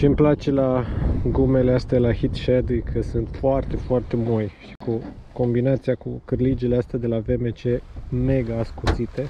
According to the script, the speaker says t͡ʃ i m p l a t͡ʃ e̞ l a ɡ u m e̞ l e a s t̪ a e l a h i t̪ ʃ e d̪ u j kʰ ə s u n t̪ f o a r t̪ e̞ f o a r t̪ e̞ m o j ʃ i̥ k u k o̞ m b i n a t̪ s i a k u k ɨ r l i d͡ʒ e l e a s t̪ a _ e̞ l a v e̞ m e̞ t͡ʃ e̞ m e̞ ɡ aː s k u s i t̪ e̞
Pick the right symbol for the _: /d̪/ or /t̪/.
d̪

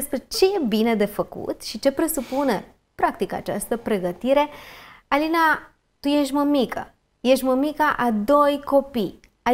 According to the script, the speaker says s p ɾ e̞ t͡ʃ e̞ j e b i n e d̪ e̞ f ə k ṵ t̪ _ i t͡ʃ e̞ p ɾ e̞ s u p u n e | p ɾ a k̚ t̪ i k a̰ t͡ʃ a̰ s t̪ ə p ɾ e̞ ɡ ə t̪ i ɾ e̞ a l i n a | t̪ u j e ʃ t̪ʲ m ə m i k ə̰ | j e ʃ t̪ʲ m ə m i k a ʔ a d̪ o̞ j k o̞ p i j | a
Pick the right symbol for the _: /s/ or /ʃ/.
ʃ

